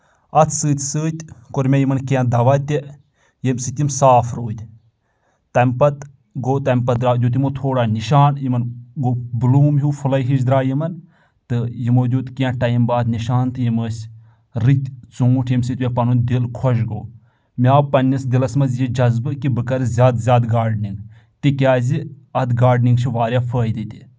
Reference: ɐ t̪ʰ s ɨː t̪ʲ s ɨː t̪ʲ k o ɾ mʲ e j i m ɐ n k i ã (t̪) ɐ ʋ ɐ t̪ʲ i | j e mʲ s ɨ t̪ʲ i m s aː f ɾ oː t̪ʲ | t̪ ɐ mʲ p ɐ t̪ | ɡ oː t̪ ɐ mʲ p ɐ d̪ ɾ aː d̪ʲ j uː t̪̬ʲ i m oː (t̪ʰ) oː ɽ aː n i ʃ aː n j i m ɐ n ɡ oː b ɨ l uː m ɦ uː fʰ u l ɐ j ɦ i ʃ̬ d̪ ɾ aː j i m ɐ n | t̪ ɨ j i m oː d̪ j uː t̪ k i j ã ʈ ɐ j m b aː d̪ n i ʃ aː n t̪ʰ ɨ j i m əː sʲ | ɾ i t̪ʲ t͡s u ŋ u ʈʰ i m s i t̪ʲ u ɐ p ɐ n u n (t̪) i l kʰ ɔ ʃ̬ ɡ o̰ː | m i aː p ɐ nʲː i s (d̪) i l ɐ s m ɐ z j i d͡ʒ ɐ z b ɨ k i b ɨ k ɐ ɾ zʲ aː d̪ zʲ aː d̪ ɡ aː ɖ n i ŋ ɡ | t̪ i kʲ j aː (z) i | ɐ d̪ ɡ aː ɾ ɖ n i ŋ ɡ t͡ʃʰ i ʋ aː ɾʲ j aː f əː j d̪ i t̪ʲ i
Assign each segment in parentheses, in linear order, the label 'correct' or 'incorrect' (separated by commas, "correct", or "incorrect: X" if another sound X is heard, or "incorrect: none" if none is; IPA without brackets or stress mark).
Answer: incorrect: d̪, correct, incorrect: d̪, correct, correct